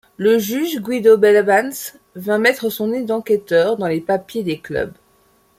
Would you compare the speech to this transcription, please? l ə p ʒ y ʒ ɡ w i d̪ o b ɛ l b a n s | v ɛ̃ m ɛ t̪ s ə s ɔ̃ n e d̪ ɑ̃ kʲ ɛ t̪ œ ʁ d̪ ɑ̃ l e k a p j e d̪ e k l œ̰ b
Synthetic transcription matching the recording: l ə ʒ y ʒ ɡ w i d̪ o b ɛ l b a n s | v ɛ̃ m ɛ t̪ χ ə s ɔ̃ n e d̪ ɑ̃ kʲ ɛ t̪ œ ʁ d̪ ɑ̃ l e p a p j e d̪ e k l œ̰ b